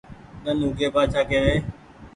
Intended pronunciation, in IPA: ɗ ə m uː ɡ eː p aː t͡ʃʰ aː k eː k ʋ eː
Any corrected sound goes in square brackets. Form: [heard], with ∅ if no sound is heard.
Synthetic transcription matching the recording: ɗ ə [n] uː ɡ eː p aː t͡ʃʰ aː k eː [∅] ʋ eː